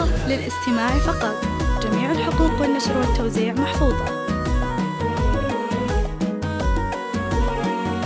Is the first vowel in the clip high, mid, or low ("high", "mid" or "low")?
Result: high